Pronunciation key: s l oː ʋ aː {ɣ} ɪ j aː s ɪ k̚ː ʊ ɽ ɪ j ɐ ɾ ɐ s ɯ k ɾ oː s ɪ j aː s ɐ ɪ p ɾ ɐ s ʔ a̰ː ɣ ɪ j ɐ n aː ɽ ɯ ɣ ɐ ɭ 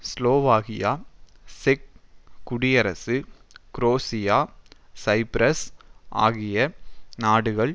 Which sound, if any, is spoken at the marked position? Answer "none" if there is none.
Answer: ɣ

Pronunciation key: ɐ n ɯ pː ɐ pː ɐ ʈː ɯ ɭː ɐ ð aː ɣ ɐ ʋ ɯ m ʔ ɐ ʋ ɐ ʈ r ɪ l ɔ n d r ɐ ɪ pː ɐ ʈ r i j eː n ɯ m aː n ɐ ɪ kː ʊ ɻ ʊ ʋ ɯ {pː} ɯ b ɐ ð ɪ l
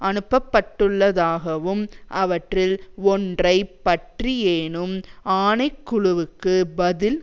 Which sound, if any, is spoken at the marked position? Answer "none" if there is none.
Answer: kː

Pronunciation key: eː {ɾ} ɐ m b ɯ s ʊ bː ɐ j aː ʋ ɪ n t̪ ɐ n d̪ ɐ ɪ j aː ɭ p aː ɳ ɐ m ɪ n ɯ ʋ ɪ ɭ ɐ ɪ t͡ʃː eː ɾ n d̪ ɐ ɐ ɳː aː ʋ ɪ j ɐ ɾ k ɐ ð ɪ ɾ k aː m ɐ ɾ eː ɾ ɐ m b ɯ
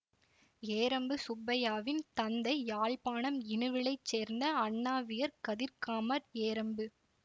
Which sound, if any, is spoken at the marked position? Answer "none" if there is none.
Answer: ɾ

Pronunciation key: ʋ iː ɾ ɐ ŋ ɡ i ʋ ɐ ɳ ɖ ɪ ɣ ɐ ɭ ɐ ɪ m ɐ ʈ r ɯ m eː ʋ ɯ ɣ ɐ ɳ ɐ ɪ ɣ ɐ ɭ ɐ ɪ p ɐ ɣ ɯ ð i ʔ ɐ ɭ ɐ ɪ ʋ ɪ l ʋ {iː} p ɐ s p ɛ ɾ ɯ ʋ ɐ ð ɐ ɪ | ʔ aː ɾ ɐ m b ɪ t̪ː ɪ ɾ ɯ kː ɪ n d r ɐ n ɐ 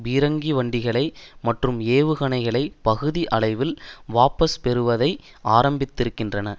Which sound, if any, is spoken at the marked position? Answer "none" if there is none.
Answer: aː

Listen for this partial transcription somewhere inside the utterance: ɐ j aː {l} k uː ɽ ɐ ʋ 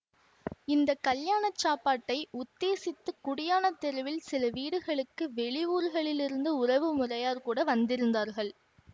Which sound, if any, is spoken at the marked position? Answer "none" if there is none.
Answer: ɾ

